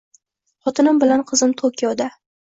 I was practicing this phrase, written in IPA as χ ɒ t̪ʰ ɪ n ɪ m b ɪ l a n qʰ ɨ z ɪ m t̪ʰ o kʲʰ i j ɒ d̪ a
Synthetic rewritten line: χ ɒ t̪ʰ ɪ n ɪ m b ɪ l a n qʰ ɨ z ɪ m t̪ʰ o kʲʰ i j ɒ d̪ a